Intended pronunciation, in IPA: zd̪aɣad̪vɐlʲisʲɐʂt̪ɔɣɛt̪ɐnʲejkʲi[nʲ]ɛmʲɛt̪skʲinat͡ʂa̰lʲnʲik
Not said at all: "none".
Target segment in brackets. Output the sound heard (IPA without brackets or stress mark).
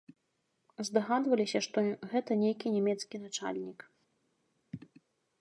nʲ